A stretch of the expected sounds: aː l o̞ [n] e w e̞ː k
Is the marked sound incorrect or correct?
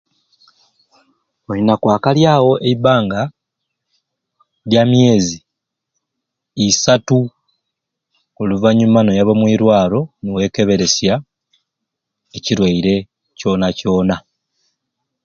correct